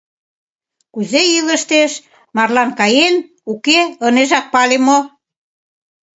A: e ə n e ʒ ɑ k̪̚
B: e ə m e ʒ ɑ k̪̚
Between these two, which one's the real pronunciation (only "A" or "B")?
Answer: A